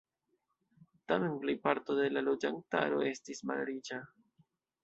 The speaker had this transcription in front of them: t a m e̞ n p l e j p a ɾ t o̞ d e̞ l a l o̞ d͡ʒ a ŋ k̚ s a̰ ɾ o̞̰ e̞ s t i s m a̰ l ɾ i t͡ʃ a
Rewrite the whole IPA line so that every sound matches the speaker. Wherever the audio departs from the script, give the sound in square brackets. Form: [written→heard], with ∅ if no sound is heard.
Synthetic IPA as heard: t a m e̞ n p l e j p a ɾ t o̞ d e̞ l a l o̞ d͡ʒ a ŋ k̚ [s→t] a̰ ɾ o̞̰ e̞ s t i s m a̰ l ɾ i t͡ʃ a